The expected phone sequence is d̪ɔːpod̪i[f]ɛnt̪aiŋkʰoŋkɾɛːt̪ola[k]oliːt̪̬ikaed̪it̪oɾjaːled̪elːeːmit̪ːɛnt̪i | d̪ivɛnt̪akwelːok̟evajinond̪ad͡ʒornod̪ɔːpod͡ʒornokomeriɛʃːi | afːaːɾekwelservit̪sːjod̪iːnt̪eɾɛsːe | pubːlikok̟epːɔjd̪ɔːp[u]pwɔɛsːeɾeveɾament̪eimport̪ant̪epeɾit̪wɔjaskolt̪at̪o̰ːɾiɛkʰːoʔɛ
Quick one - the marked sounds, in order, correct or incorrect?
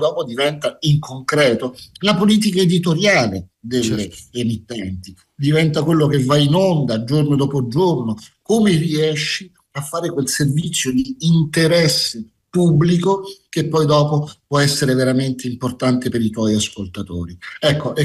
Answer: incorrect, incorrect, incorrect

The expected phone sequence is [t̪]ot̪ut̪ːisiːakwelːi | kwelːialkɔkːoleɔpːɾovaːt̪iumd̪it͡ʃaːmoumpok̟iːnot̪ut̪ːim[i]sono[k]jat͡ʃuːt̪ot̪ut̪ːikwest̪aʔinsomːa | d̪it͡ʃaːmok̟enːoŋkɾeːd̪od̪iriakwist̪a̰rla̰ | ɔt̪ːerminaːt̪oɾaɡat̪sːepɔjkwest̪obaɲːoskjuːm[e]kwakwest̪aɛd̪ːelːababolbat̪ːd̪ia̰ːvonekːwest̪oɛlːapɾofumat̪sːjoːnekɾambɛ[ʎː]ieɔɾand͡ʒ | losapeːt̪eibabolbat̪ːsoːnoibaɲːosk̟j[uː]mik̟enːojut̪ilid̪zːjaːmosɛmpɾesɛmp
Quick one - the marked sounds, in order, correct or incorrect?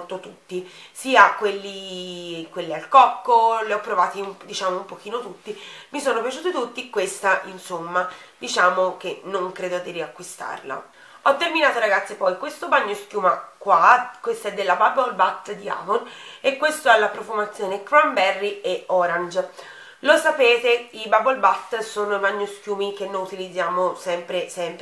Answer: correct, correct, incorrect, incorrect, incorrect, correct

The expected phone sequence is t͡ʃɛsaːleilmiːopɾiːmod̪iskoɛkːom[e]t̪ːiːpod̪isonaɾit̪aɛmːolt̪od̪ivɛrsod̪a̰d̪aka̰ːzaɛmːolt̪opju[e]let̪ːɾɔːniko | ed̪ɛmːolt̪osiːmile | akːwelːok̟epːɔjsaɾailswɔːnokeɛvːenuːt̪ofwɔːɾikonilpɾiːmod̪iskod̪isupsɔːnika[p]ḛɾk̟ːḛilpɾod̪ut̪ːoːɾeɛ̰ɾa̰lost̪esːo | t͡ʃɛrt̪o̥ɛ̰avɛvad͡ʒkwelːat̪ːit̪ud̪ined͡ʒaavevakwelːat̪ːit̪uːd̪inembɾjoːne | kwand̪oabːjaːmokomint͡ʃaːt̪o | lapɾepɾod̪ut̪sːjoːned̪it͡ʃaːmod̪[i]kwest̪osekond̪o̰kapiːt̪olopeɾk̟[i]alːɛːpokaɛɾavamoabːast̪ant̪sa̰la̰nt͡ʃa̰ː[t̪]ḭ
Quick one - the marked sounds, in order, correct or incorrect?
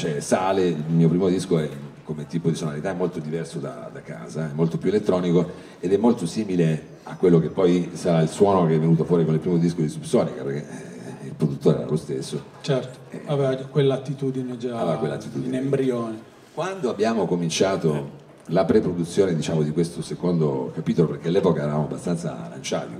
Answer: correct, correct, correct, correct, incorrect, correct

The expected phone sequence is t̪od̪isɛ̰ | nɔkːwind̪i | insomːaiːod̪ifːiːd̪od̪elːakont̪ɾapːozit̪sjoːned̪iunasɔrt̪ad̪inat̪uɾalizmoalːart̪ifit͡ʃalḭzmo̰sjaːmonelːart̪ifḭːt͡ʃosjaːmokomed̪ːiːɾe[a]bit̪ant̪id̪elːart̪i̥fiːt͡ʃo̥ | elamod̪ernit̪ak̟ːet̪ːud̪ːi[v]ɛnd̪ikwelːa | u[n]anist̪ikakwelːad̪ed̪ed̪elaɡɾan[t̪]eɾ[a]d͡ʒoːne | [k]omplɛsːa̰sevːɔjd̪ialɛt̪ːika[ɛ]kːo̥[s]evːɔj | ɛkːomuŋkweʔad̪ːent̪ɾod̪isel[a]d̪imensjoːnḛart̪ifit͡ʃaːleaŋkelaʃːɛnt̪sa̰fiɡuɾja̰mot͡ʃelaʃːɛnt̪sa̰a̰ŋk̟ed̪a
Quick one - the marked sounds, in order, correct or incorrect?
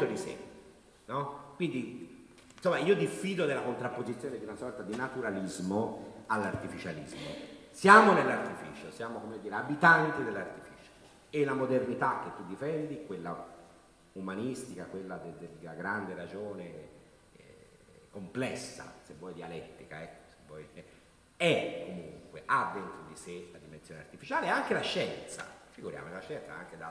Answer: correct, incorrect, incorrect, incorrect, correct, correct, correct, correct, correct

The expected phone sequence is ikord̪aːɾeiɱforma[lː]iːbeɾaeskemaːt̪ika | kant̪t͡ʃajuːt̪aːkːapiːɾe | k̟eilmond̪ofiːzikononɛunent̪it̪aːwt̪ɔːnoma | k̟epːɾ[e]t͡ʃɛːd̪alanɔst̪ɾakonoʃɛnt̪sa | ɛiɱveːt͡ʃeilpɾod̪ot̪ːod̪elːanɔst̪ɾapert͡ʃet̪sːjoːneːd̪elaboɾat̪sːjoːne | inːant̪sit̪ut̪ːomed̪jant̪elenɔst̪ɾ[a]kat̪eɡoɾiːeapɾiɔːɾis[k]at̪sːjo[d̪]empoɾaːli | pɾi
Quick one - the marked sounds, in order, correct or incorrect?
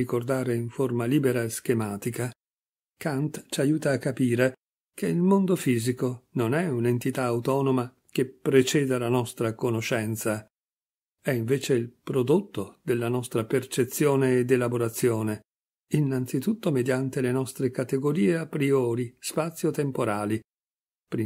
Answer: incorrect, correct, incorrect, incorrect, incorrect

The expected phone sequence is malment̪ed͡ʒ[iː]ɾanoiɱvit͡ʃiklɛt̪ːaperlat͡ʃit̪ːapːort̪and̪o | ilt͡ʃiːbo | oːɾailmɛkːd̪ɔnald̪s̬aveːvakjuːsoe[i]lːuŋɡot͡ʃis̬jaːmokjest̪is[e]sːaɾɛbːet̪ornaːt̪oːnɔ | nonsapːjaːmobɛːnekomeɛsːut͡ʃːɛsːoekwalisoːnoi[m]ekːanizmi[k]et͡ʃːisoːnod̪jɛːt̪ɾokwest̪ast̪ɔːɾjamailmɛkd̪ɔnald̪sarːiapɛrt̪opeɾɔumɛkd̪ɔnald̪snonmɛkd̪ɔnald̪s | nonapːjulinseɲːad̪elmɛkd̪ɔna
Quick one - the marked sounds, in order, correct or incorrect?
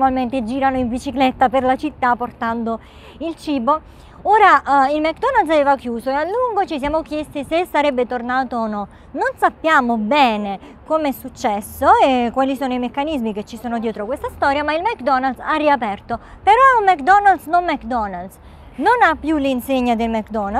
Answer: correct, incorrect, correct, correct, correct

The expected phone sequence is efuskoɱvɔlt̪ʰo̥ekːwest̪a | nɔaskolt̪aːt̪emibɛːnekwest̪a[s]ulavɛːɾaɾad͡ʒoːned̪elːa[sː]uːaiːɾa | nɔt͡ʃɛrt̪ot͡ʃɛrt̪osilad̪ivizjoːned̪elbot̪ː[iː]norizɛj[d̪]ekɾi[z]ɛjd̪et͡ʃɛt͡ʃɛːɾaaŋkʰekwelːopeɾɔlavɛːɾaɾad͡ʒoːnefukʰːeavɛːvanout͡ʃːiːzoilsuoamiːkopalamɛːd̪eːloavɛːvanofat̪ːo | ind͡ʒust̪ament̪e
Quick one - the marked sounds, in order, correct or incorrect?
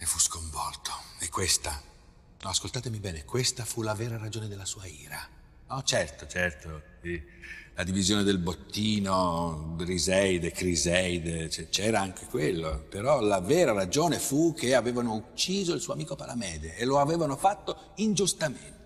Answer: incorrect, incorrect, correct, correct, correct

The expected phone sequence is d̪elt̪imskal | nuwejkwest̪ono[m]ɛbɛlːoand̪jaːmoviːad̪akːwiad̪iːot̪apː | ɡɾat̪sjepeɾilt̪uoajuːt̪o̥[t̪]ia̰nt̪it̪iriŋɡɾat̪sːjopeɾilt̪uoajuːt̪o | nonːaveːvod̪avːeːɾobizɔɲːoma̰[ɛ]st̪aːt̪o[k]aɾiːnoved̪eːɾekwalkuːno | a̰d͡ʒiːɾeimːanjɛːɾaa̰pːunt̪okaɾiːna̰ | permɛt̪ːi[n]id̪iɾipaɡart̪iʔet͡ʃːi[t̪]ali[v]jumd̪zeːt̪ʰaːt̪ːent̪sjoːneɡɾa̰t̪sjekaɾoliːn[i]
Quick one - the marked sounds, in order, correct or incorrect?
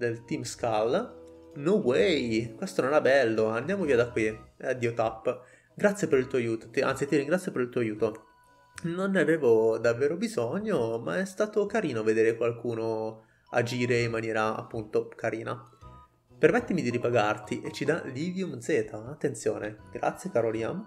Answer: incorrect, correct, correct, correct, incorrect, incorrect, correct, incorrect

